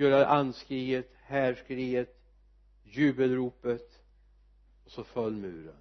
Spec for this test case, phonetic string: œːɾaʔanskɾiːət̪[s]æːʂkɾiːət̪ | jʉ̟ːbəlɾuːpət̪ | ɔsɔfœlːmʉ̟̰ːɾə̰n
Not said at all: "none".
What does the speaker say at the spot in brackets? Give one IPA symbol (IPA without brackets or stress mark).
h